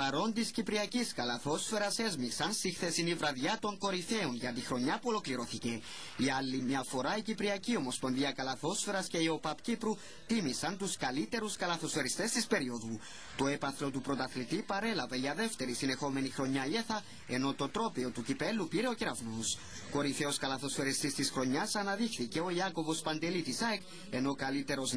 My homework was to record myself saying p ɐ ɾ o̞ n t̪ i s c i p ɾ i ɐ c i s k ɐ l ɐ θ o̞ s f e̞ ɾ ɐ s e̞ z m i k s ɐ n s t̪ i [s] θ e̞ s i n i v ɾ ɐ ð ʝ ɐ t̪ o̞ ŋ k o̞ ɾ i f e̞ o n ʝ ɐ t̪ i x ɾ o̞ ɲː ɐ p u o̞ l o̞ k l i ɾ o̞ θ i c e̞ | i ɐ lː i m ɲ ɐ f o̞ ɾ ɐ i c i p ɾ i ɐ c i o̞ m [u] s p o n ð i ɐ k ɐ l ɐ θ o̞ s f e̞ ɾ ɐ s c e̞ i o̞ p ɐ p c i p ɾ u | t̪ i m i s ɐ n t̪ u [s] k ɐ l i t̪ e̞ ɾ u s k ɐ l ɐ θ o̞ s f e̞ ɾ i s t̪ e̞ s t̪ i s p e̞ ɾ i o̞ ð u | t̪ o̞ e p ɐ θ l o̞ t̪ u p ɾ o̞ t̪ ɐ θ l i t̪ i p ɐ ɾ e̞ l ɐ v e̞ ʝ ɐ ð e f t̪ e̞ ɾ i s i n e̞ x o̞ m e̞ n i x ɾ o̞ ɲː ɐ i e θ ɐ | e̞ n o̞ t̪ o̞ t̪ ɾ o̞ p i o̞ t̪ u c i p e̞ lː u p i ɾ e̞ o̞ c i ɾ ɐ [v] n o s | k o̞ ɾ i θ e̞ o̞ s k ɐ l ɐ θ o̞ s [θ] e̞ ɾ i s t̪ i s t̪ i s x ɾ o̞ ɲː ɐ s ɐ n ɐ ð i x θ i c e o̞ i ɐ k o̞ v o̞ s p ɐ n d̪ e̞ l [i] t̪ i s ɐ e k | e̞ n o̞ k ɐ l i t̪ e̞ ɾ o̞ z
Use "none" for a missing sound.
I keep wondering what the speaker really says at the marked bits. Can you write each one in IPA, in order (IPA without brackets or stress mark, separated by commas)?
x, o, s, v, f, i